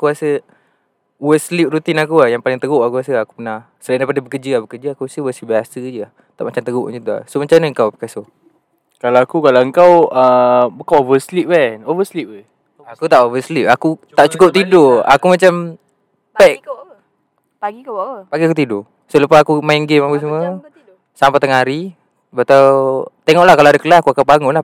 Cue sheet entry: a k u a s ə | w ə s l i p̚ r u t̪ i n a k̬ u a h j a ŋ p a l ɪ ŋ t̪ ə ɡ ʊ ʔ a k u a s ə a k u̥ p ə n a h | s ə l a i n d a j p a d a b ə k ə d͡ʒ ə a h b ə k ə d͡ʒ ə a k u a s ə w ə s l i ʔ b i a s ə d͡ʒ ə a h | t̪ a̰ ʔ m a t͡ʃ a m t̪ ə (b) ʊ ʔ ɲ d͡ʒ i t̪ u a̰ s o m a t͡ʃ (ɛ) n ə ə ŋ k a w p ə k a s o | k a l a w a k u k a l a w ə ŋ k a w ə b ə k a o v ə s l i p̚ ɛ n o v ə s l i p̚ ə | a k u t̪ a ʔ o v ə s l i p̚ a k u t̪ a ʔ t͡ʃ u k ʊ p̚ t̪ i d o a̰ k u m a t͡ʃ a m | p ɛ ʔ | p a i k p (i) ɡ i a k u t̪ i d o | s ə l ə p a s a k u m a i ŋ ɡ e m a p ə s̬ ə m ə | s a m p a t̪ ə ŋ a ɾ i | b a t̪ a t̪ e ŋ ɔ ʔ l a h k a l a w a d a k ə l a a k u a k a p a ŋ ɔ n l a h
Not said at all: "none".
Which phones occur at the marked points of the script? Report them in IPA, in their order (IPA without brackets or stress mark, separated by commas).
ɡ, a, a